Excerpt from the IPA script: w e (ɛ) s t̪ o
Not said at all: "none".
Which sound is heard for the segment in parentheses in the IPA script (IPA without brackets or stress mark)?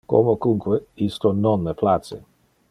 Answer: i